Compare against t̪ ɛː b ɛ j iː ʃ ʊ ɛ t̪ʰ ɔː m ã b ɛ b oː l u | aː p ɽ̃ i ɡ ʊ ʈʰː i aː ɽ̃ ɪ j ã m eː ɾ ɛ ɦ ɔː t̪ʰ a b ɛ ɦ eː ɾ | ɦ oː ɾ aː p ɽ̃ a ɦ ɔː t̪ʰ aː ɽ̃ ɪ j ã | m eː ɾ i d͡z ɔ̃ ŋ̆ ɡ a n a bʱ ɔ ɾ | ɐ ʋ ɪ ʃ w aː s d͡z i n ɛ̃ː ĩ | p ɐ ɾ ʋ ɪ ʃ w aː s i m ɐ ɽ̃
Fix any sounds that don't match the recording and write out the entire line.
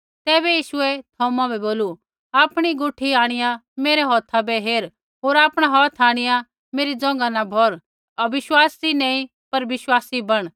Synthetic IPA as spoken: t̪ ɛː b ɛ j iː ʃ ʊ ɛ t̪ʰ ɔː m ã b ɛ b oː l u | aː p ɽ̃ i ɡ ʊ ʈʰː i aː ɽ̃ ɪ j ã m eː ɾ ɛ ɦ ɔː t̪ʰ a b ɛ ɦ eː ɾ | ɦ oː ɾ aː p ɽ̃ a ɦ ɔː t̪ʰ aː ɽ̃ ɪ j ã | m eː ɾ i d͡z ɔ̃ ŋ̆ ɡ a n a bʱ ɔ ɾ | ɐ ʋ ɪ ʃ w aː s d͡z i n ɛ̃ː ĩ | p ɐ ɾ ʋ ɪ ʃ w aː s i b ɐ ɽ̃